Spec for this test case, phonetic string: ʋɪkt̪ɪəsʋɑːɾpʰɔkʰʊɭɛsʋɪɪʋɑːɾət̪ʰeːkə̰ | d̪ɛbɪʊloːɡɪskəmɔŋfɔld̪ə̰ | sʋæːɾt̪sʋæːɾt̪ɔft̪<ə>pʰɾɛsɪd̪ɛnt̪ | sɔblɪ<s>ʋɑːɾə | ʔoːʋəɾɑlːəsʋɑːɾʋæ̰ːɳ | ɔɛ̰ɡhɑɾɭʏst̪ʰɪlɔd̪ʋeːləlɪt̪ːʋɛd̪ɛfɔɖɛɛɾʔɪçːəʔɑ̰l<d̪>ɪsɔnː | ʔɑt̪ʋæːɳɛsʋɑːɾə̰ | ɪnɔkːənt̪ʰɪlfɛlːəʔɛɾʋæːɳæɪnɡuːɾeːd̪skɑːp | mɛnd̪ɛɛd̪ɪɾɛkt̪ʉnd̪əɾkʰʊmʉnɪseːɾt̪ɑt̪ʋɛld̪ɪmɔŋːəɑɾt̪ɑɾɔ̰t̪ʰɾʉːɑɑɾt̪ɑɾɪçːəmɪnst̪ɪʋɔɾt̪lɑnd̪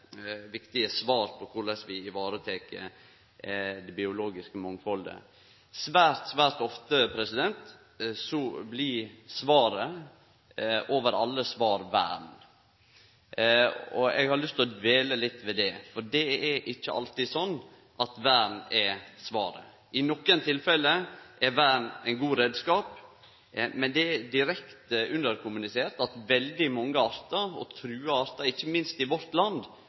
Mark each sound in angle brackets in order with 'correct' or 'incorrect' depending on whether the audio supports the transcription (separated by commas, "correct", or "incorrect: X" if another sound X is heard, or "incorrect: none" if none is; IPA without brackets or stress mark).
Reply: correct, correct, incorrect: t̪